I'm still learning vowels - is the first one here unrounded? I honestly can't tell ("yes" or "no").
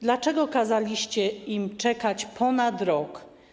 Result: yes